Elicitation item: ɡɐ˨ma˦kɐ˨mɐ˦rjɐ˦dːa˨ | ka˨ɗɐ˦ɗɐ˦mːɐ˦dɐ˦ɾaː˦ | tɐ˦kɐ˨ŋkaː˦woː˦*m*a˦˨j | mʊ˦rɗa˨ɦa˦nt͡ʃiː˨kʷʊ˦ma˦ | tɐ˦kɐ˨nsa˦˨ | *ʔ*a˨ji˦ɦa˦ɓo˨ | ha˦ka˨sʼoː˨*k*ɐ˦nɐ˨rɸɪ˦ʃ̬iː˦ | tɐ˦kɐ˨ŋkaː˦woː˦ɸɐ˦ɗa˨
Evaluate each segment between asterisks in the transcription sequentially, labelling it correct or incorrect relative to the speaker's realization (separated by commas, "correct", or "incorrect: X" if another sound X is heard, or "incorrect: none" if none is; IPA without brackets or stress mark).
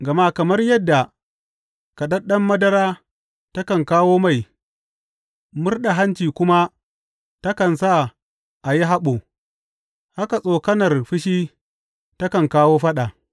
correct, correct, correct